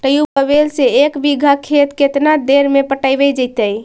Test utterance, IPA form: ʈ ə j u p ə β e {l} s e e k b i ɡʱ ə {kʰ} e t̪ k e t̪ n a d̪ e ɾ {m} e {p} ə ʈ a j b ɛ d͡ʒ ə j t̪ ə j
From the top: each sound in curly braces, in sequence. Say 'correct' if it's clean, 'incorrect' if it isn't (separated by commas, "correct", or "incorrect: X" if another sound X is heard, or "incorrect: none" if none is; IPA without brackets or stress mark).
correct, correct, correct, correct